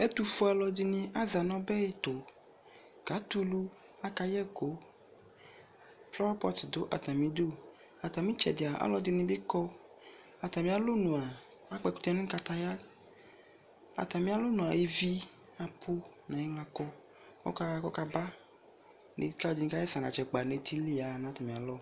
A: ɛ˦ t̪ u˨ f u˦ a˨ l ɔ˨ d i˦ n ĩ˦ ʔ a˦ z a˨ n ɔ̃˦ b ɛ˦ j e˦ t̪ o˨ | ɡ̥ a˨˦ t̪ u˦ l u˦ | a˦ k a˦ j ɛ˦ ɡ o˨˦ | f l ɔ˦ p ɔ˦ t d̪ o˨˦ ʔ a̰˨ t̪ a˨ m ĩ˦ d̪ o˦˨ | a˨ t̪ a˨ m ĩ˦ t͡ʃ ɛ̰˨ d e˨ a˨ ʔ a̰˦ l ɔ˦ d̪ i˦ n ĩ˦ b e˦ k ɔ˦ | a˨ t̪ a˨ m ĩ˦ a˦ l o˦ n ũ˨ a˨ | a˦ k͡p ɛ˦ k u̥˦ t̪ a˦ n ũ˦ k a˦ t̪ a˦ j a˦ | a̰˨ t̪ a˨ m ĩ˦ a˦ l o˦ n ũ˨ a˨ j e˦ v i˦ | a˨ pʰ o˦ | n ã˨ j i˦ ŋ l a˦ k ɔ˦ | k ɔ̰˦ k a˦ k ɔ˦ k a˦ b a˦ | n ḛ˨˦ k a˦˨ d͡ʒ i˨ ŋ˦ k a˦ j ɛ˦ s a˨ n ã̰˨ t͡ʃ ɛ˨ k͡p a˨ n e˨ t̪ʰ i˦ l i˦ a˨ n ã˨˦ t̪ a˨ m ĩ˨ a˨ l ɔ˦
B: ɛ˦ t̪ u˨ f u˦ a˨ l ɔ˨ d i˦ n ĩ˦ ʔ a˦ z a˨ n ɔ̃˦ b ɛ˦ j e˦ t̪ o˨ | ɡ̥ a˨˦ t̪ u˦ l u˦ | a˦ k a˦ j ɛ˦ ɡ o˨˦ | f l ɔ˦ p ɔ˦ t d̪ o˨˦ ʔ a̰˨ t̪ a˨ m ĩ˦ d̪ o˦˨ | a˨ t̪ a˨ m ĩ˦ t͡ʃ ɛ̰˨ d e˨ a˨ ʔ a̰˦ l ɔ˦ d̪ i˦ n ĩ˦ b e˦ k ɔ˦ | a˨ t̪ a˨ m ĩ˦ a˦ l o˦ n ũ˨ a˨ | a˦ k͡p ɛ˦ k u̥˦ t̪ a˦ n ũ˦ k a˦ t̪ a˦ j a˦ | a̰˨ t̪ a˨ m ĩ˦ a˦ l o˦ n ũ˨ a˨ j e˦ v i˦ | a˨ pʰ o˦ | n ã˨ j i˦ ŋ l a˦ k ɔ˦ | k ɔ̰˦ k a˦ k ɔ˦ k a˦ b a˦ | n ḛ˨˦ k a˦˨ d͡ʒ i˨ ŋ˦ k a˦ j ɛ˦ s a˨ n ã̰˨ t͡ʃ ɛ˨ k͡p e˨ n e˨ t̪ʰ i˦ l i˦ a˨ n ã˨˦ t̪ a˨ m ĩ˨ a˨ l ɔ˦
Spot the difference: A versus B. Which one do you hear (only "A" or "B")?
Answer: A